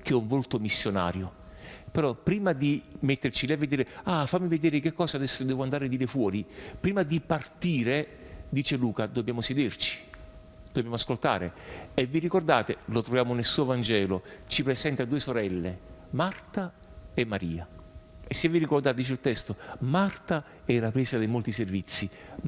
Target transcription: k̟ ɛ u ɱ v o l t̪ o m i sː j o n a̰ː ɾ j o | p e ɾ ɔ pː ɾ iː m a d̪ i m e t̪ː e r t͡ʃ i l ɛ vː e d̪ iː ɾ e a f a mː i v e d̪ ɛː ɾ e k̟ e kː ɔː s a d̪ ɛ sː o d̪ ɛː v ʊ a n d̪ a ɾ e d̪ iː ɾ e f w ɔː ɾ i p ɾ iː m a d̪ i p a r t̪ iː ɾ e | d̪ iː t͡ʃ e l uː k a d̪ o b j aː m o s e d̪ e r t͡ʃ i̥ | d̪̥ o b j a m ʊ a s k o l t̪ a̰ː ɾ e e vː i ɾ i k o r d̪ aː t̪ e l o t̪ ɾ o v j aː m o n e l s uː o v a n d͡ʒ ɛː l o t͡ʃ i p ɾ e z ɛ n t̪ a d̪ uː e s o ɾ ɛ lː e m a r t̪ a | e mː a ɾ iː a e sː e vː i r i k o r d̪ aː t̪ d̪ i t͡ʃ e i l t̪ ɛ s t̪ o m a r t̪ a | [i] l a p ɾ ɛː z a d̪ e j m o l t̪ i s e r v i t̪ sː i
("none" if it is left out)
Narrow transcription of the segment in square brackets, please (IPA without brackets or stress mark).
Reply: ɛ